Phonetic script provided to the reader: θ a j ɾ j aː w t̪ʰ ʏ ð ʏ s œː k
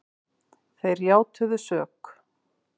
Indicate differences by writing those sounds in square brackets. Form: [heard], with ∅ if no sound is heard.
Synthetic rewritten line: θ [e] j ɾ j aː w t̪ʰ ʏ ð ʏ s œː k